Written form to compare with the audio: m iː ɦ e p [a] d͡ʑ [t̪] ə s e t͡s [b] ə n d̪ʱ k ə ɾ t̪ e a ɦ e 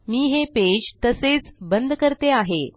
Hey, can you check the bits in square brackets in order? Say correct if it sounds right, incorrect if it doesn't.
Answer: incorrect: e, correct, correct

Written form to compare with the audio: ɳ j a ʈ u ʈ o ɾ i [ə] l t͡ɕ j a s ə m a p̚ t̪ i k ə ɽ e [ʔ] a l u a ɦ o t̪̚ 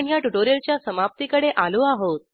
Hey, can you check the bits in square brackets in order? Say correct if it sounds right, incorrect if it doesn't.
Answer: correct, correct

